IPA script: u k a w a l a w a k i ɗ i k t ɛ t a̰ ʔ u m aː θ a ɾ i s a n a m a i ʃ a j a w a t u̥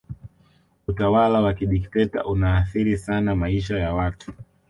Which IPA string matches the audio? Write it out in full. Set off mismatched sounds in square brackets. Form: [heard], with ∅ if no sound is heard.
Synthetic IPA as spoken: u [t] a w a l a w a k i ɗ i k t ɛ t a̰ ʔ u [n] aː θ [i] ɾ i s a n a m a i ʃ a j a w a t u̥